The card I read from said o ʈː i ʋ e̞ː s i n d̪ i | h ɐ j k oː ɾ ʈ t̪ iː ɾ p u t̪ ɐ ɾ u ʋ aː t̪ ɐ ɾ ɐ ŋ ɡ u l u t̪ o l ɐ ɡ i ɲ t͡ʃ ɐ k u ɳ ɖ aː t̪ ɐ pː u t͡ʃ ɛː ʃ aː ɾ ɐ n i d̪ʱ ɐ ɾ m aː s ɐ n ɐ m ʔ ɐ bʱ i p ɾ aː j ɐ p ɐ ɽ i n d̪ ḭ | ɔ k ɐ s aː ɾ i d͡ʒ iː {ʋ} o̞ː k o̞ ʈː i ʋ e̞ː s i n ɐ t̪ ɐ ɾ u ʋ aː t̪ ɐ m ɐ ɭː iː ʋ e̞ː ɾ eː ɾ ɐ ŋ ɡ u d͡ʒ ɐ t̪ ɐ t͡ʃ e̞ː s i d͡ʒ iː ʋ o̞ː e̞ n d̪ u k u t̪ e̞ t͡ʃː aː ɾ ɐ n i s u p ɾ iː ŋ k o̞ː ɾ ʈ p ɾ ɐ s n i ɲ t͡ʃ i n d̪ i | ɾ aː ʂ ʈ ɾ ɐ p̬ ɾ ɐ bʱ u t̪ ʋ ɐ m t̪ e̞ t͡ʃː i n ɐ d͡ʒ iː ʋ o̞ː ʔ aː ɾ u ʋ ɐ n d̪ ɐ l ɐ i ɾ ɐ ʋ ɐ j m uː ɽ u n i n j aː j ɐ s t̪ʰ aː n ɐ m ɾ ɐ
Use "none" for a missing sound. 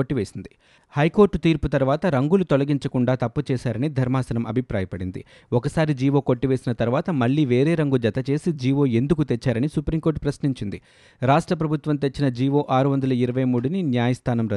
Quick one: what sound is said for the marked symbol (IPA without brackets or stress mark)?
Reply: ʋ